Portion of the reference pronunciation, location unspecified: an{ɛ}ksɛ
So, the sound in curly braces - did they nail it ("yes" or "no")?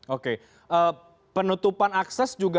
no